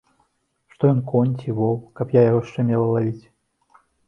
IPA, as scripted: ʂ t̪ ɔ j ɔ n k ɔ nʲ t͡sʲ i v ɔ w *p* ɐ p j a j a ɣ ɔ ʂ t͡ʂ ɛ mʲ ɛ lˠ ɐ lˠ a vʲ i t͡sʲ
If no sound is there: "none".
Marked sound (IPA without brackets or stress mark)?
k